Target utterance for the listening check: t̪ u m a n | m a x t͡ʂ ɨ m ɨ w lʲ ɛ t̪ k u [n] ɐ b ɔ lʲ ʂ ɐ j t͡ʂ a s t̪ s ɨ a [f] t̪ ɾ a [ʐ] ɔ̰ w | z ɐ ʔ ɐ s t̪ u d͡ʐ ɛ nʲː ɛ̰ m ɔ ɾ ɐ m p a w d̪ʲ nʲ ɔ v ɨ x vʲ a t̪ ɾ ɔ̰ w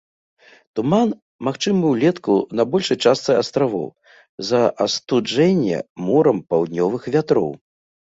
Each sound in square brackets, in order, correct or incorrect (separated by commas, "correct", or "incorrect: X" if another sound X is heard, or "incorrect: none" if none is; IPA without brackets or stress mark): correct, incorrect: s, incorrect: v